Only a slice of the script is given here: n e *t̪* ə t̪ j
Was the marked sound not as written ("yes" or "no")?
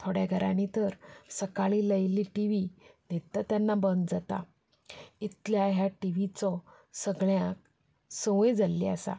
no